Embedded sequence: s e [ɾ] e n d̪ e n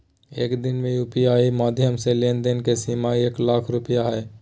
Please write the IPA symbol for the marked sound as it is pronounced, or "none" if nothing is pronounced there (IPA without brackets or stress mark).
l